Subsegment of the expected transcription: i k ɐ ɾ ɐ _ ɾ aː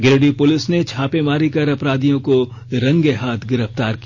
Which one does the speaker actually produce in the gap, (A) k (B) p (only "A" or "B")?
B